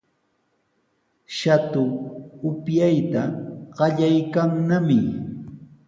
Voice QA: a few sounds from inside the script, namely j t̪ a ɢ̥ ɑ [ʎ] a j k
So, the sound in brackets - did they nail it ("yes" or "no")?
yes